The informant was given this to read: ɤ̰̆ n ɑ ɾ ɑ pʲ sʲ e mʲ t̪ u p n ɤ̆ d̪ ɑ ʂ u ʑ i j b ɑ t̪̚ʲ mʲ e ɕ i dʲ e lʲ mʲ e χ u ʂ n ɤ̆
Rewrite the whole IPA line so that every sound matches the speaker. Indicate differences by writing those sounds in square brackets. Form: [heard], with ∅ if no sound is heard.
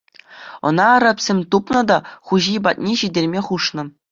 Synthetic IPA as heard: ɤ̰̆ n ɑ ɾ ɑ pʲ sʲ e mʲ t̪ u p n ɤ̆ d̪ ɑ [χ] u ʑ i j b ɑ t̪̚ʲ [nʲ] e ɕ i dʲ e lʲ mʲ e χ u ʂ n ɤ̆

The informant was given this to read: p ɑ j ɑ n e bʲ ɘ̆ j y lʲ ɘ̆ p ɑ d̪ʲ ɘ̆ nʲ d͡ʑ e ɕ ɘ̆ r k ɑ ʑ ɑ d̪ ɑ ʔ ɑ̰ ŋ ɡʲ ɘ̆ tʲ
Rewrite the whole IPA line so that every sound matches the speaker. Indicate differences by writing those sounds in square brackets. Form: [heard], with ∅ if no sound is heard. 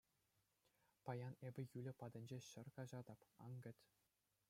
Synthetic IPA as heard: p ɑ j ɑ n e bʲ ɘ̆ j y lʲ ɘ̆ p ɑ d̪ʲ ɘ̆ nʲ d͡ʑ e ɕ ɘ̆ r k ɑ ʑ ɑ d̪ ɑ [p] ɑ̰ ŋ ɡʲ ɘ̆ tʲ

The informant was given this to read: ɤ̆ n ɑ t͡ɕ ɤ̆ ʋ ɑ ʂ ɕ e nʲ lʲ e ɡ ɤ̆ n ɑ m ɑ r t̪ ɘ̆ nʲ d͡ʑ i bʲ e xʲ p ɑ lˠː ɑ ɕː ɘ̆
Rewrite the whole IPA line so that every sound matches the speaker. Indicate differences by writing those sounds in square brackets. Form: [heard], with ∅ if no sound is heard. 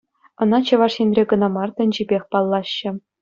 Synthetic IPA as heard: ɤ̆ n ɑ t͡ɕ ɤ̆ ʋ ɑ ʂ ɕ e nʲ [rʲ] e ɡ ɤ̆ n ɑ m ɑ r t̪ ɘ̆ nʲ d͡ʑ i bʲ e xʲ p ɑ lˠː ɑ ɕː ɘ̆

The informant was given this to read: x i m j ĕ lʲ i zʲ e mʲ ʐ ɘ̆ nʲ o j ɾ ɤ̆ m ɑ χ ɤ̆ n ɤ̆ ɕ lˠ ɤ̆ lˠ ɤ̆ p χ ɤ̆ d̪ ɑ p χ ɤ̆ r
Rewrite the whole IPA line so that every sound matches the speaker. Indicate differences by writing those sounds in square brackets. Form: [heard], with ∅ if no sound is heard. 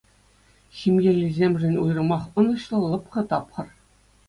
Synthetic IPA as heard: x i m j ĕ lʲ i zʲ e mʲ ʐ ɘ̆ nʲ [u] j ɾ ɤ̆ m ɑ χ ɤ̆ n ɤ̆ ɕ lˠ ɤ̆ lˠ ɤ̆ p χ ɤ̆ [t̪] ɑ p χ ɤ̆ r

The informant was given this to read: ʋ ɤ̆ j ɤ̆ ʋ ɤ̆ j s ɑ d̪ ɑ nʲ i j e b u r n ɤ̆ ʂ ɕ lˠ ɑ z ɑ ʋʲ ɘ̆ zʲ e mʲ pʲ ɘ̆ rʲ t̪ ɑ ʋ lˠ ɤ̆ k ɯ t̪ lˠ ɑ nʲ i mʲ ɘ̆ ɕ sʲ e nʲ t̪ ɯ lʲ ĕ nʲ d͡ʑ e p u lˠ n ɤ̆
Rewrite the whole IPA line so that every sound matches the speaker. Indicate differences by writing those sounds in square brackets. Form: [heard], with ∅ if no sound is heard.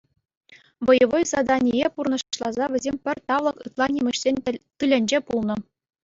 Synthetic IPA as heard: ʋ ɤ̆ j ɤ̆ ʋ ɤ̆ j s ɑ d̪ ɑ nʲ i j e [p] u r n ɤ̆ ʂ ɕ lˠ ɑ z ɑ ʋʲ ɘ̆ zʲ e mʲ pʲ ɘ̆ rʲ t̪ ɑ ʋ lˠ ɤ̆ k ɯ t̪ lˠ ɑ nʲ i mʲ ɘ̆ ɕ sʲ e nʲ t̪ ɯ lʲ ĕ nʲ d͡ʑ e p u lˠ n ɤ̆

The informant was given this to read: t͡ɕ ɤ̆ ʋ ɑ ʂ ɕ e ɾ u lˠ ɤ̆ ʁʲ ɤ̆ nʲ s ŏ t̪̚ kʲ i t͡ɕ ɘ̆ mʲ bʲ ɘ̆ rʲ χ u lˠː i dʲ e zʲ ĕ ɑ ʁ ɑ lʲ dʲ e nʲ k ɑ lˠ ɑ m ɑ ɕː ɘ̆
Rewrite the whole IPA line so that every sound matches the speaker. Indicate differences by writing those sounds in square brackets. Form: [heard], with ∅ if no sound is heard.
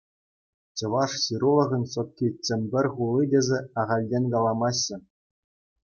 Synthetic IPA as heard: t͡ɕ ɤ̆ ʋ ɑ ʂ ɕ [i] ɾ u lˠ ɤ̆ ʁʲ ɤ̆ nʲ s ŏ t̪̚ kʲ i t͡ɕ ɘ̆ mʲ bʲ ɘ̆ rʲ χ u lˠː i dʲ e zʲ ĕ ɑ ʁ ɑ lʲ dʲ e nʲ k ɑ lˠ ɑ m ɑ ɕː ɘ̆

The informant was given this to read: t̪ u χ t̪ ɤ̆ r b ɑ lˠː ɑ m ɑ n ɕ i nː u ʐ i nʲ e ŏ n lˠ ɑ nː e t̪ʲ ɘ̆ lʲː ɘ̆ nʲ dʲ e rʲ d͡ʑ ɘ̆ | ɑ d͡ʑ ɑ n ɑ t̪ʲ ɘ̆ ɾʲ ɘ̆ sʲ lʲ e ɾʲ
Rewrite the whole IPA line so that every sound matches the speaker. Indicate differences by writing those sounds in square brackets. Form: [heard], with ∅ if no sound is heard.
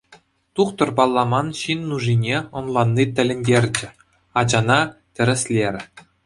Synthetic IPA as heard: t̪ u χ t̪ ɤ̆ r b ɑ lˠː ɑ m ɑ n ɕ i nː u ʐ i nʲ e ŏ n lˠ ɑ nː [i] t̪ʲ ɘ̆ [lʲ] ɘ̆ nʲ dʲ e rʲ d͡ʑ ɘ̆ | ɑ d͡ʑ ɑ n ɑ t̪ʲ ɘ̆ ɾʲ ɘ̆ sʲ lʲ e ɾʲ

